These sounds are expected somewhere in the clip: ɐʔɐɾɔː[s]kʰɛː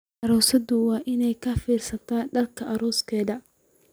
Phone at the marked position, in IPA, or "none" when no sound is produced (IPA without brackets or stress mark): s